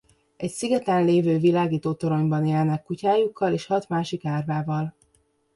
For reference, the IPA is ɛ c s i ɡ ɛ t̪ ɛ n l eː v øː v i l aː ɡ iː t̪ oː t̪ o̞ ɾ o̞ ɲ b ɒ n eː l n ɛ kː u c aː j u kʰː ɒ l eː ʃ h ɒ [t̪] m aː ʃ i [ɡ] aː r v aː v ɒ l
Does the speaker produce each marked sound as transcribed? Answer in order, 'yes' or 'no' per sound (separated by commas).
yes, no